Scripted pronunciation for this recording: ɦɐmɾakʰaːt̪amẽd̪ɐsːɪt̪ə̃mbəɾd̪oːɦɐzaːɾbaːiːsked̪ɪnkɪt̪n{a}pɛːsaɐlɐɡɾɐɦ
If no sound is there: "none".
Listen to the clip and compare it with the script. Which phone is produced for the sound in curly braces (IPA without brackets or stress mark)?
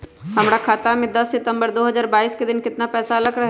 a